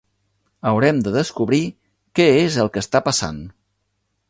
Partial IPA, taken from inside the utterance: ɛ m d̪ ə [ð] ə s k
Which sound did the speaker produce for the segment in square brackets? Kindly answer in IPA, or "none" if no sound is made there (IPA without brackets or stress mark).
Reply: ð